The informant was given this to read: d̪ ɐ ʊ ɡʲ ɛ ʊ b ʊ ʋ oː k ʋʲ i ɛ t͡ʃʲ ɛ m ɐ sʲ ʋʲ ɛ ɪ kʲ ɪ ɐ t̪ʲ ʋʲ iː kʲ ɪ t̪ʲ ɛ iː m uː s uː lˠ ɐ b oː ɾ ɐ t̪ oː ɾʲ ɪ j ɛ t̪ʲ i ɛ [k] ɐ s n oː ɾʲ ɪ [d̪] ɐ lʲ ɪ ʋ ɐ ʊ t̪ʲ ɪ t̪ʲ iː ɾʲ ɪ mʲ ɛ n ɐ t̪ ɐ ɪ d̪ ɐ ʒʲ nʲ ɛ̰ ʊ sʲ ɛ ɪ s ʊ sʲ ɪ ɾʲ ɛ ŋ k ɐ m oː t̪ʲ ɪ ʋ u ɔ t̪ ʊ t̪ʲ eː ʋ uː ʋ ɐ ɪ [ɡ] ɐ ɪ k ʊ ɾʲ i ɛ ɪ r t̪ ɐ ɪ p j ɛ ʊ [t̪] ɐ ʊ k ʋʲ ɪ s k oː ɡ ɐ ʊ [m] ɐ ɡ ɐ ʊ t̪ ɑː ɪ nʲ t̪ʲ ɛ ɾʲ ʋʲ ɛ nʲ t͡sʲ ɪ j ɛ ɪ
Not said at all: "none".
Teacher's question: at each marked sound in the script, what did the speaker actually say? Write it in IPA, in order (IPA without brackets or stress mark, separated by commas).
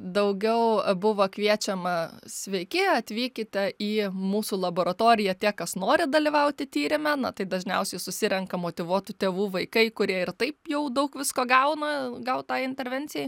k, d̪, k, d̪, n